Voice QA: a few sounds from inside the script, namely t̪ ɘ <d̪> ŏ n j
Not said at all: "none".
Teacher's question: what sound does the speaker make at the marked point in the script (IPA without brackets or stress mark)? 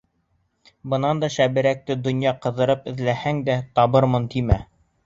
d̪